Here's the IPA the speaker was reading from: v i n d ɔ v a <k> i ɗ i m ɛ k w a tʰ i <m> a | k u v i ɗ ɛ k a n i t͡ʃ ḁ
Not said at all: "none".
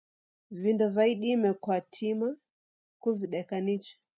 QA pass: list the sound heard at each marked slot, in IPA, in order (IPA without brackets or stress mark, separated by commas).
none, m